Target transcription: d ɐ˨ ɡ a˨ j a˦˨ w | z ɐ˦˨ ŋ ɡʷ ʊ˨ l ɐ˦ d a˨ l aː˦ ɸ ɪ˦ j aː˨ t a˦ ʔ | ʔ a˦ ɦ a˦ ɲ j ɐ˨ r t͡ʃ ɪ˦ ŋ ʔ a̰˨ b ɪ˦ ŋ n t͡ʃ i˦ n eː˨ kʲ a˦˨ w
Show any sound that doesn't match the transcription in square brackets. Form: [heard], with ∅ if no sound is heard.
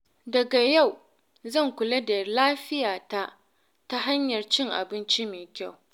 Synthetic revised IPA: d ɐ˨ ɡ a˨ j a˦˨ w | z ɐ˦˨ ŋ [kʷ] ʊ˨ l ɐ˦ d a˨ l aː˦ ɸ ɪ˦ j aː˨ t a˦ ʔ | [t] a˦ ɦ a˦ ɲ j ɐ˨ r t͡ʃ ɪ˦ ŋ ʔ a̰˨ b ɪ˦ [∅] n t͡ʃ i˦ [m] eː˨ kʲ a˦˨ w